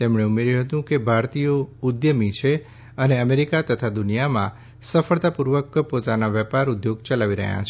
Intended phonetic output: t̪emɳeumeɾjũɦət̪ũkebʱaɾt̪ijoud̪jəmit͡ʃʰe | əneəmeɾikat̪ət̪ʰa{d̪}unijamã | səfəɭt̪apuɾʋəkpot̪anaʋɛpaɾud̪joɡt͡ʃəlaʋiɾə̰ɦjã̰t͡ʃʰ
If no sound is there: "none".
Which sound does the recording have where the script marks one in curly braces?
d̪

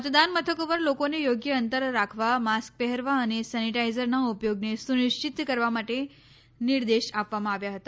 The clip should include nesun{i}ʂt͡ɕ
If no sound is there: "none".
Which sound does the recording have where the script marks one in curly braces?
i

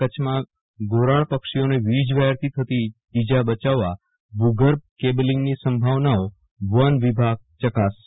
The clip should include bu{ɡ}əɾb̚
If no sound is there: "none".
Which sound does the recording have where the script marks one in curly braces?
ɡ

